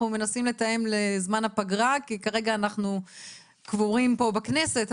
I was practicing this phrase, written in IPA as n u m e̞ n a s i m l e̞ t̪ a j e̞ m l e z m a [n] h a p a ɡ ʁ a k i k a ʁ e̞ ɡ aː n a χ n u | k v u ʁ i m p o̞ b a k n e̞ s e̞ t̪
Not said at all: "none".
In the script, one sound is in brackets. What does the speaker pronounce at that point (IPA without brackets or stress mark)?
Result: n